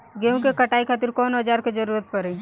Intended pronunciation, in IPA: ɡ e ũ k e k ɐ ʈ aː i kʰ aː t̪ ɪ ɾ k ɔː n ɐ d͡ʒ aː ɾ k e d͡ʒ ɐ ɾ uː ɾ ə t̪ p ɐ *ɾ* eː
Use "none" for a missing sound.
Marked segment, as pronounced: ɾ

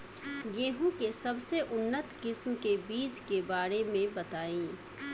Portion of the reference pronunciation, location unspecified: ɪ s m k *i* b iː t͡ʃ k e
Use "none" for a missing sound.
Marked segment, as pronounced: e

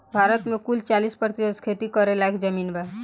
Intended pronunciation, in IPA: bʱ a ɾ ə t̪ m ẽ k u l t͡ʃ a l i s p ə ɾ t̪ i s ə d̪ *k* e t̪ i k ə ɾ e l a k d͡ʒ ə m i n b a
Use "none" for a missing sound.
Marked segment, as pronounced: kʰ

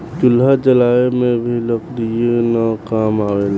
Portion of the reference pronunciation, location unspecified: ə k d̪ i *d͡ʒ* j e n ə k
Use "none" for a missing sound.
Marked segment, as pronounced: none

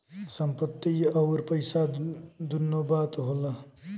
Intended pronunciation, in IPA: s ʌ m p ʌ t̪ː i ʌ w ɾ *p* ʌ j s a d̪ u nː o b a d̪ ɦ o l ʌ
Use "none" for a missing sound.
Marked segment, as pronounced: p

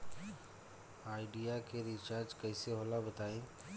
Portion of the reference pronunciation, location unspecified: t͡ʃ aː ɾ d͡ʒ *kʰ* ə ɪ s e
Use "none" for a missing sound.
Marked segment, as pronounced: k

